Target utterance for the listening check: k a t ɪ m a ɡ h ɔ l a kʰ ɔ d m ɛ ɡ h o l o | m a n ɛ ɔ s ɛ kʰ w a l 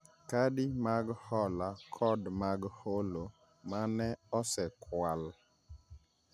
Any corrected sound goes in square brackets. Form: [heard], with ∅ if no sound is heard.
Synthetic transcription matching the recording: k a [d] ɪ m a ɡ h ɔ l a kʰ ɔ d m [a] ɡ h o l o | m a n ɛ ɔ s ɛ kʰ w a l